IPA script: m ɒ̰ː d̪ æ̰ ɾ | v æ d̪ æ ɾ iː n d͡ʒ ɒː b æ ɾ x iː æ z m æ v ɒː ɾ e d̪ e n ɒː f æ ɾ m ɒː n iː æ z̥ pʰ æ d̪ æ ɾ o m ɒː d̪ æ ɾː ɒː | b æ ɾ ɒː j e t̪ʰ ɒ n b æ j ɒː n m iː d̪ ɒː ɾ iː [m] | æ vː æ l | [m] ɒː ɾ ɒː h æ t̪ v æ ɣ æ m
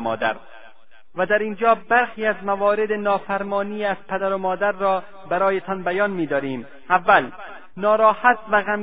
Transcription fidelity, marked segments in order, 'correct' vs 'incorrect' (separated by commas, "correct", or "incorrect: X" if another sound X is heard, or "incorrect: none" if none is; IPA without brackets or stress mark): correct, incorrect: n